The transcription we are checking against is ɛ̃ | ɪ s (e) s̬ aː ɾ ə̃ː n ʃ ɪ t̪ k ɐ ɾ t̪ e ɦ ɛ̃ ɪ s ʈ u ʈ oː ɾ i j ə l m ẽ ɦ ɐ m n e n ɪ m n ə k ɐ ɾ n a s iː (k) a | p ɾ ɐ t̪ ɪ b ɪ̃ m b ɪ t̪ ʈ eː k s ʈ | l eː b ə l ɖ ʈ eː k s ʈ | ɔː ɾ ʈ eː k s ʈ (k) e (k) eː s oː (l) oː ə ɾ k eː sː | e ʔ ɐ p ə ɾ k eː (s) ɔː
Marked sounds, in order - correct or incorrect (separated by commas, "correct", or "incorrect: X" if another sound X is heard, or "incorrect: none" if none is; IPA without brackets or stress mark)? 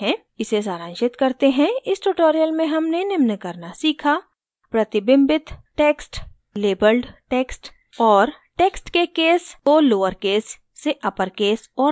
correct, incorrect: kʰ, correct, correct, correct, correct